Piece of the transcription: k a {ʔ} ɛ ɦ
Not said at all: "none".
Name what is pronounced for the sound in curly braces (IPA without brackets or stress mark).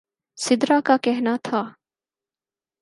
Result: k